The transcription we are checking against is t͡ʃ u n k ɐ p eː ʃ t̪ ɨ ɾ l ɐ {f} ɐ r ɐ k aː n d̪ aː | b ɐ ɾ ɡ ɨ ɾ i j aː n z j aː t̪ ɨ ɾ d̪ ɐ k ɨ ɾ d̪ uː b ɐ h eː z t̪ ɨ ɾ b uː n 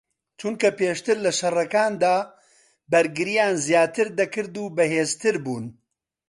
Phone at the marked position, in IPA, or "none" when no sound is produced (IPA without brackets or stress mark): ʃ